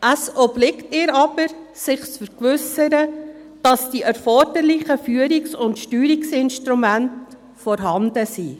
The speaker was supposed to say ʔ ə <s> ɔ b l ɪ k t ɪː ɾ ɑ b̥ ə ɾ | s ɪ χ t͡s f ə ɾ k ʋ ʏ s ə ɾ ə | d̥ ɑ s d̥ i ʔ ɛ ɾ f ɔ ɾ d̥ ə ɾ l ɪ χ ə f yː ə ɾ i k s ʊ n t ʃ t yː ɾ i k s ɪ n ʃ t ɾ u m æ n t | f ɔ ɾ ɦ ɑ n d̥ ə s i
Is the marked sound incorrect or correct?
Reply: correct